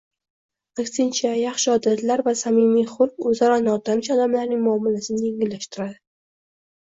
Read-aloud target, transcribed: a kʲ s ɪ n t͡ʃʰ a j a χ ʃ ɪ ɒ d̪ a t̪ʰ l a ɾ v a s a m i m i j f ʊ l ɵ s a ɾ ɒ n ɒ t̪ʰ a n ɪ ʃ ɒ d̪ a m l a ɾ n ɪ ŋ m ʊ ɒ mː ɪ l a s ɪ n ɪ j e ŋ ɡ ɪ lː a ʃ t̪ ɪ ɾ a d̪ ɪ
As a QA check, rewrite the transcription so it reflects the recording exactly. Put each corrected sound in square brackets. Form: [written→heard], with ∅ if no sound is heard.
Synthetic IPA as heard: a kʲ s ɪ n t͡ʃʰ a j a χ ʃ ɪ ɒ d̪ a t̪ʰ l a ɾ v a s a m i m i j [f→χ] ʊ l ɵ [s→z] a ɾ ɒ n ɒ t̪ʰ a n ɪ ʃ ɒ d̪ a m l a ɾ n ɪ ŋ m ʊ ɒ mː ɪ l a s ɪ n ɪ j e ŋ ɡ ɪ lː a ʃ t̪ ɪ ɾ a d̪ ɪ